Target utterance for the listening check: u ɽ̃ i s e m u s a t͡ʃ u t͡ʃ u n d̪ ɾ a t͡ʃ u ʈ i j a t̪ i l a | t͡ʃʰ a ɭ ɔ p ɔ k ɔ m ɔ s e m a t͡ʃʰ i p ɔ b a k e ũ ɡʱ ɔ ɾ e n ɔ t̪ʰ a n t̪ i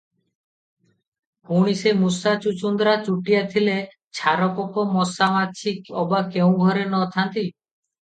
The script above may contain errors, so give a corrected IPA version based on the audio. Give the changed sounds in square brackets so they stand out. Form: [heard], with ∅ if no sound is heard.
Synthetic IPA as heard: u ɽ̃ i s e m u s a t͡ʃ u t͡ʃ u n d̪ ɾ a t͡ʃ u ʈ i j a [t̪ʰ] i l [e] | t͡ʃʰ a [ɾ] ɔ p ɔ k ɔ m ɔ s [a] m a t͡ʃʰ i [k] ɔ b a k e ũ ɡʱ ɔ ɾ e n ɔ t̪ʰ a n t̪ i